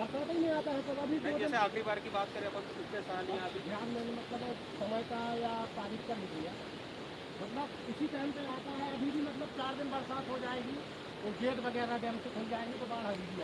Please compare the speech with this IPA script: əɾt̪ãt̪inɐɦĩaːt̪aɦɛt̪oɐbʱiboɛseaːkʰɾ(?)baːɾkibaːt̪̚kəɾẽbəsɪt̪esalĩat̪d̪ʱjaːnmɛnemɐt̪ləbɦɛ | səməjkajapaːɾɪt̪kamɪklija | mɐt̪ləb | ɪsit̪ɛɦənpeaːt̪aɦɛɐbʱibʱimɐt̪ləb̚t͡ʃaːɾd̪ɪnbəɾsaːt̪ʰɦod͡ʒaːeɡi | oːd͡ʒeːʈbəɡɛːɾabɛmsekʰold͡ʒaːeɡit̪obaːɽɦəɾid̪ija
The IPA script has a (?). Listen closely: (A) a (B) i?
B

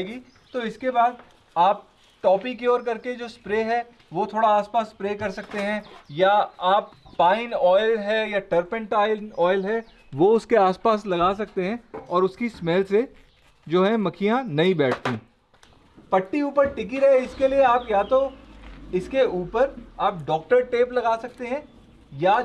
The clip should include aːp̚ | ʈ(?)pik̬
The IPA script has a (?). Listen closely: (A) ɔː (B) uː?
A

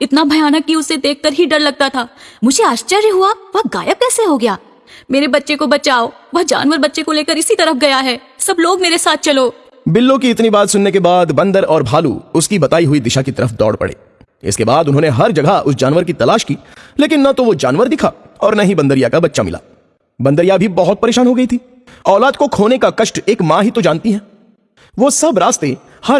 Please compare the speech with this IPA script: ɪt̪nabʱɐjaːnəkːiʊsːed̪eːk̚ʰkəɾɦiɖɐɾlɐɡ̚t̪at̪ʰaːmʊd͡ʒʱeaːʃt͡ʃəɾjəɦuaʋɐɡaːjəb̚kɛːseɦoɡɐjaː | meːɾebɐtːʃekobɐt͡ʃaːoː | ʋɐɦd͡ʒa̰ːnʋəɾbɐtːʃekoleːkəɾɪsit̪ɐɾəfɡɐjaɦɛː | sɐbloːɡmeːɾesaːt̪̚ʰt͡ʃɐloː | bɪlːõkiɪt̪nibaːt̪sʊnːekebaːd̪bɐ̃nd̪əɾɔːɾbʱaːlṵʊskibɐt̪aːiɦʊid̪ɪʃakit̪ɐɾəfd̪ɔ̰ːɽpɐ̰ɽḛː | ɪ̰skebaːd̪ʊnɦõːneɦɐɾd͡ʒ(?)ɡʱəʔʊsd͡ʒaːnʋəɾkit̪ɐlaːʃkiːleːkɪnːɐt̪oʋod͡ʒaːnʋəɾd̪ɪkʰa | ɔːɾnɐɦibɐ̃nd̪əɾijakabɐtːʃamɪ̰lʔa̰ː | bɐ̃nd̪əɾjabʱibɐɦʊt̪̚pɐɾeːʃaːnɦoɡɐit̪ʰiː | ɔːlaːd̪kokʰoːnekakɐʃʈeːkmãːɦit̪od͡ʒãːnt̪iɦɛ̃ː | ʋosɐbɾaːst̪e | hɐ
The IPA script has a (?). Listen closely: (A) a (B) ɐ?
B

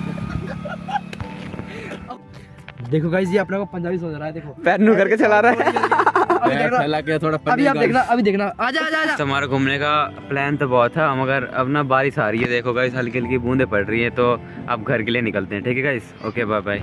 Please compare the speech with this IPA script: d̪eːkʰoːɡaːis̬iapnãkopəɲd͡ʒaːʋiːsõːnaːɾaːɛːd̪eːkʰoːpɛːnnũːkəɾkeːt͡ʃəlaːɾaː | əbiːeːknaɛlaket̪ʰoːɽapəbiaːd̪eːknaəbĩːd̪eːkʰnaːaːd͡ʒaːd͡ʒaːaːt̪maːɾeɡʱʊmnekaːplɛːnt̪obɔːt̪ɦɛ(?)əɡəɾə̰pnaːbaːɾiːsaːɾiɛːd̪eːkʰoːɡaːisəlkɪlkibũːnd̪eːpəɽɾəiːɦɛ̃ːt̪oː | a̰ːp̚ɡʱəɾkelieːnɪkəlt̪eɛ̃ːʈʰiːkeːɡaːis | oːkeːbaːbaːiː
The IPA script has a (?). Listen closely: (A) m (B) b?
A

